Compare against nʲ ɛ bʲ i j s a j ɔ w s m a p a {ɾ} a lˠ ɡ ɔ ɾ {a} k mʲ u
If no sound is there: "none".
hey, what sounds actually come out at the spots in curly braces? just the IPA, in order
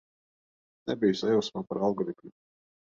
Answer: ɾ, i

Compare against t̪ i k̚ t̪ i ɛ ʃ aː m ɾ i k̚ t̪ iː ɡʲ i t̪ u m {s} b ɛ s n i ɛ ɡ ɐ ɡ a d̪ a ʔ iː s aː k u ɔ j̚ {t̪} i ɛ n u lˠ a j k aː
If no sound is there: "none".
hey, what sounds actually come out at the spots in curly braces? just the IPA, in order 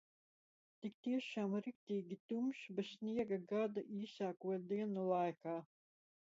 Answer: ʃ, d̪

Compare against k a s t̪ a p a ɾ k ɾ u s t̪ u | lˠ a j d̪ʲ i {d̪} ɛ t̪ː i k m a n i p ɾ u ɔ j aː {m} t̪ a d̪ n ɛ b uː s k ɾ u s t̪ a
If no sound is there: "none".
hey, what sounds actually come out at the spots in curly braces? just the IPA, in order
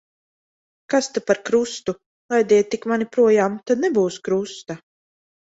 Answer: none, m

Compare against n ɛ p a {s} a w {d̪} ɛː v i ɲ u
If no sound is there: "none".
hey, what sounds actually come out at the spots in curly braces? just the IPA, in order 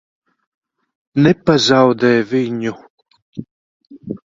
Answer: z, d̪

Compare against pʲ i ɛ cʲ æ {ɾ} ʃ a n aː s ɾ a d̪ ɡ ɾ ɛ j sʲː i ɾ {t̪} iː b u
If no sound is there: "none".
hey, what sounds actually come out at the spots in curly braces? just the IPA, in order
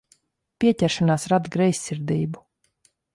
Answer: ɾ, d̪

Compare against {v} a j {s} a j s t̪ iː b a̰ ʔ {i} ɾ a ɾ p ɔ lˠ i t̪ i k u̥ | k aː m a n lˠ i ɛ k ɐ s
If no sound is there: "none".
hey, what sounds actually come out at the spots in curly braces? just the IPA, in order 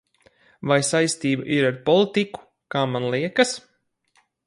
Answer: v, s, i

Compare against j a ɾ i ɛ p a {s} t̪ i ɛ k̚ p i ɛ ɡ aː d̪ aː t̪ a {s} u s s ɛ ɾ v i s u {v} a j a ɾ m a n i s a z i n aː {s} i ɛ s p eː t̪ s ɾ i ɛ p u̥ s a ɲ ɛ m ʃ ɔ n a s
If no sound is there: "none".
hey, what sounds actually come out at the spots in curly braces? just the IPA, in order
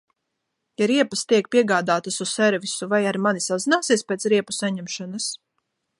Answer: s, s, v, s

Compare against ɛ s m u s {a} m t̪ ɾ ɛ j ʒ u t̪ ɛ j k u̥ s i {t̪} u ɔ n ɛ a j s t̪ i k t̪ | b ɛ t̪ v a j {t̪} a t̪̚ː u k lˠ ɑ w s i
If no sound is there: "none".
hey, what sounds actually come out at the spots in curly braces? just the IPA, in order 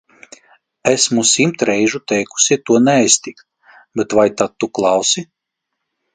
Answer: i, t̪, t̪

